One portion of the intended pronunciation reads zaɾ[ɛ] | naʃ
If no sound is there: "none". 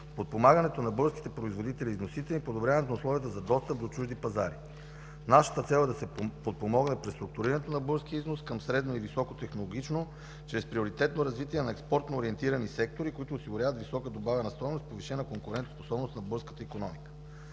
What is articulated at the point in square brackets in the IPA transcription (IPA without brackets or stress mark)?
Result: i